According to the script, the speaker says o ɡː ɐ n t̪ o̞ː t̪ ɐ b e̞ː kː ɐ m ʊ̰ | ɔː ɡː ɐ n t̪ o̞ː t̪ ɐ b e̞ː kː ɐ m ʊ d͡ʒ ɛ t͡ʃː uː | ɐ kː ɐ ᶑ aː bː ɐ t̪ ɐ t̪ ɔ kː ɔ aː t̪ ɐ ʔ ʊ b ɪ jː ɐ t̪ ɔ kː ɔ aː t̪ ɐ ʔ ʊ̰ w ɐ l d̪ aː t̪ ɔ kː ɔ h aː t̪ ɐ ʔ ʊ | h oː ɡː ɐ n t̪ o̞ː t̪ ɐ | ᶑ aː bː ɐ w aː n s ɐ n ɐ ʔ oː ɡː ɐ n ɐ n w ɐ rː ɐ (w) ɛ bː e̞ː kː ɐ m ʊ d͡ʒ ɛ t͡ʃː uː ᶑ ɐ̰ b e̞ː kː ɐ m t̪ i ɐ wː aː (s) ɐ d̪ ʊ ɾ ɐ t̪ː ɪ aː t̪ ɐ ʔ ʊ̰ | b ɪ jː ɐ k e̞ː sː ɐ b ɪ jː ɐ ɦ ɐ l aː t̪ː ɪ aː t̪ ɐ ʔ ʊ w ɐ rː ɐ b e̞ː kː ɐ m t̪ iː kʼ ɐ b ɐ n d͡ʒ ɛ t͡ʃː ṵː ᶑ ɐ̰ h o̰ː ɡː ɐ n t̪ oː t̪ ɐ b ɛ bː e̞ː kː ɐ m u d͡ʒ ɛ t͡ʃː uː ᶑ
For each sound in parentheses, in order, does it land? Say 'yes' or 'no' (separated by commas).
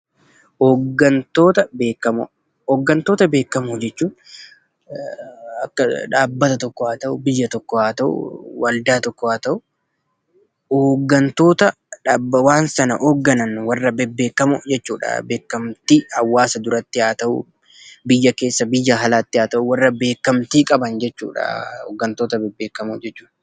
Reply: no, yes